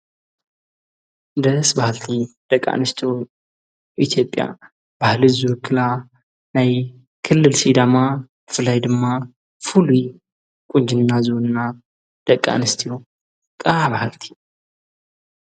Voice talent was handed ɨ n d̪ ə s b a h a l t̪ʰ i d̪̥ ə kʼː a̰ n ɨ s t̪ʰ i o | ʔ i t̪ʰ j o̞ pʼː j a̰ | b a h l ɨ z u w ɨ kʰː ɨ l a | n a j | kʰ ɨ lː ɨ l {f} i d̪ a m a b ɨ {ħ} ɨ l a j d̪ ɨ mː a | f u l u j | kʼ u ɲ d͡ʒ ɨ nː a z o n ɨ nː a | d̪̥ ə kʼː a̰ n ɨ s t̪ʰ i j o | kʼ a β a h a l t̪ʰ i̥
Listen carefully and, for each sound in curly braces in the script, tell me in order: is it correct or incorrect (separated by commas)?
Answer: incorrect, incorrect